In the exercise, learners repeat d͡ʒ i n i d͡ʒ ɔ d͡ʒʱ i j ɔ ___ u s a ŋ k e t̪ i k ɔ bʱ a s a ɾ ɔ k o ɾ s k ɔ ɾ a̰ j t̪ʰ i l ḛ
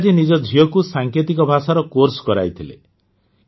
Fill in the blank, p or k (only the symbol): k